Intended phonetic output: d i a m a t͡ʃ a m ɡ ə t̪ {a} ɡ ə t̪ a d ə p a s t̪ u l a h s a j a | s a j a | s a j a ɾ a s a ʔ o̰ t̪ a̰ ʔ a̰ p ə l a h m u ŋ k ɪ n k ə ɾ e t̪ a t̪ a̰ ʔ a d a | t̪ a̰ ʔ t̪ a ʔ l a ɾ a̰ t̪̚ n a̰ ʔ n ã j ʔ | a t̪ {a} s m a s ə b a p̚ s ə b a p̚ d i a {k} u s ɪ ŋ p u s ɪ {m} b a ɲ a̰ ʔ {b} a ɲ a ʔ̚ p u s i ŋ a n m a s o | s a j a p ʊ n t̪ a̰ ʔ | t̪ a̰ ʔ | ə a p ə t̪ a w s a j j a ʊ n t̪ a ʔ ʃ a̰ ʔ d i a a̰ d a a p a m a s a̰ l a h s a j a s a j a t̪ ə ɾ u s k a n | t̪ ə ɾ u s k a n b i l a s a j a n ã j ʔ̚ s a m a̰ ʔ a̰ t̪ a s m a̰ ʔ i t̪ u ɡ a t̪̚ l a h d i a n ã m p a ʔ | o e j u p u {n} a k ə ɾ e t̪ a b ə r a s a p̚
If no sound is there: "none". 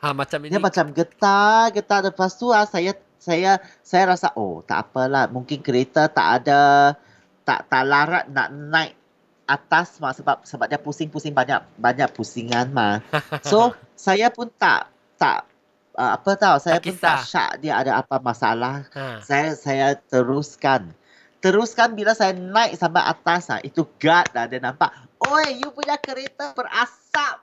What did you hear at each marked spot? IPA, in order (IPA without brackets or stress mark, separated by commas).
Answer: a, a, p, ŋ, b, ɲ